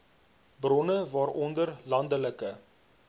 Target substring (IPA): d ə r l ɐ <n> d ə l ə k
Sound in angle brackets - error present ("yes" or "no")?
no